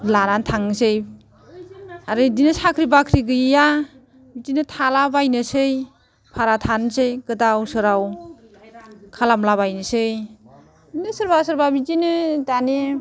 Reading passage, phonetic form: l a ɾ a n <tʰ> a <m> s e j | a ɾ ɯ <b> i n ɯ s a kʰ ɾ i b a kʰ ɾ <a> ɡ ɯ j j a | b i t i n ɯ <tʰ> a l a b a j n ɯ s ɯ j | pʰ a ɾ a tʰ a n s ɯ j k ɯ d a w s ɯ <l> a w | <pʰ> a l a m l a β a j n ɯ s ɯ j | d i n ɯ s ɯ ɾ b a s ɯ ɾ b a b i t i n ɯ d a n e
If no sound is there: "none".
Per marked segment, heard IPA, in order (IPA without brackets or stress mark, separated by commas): tʰ, ŋ, d, i, tʰ, ɾ, kʰ